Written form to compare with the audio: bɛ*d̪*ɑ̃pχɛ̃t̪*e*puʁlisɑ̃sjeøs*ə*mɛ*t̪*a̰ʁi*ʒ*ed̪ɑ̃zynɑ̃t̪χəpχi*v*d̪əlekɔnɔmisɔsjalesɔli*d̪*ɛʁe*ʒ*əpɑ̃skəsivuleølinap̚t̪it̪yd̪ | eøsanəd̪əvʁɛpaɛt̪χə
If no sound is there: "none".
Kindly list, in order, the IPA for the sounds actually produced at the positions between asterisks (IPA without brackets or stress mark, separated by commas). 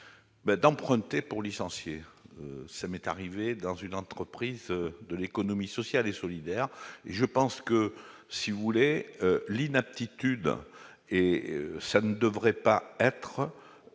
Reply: d̪, e, a, t̪, v, z, d̪, ʒ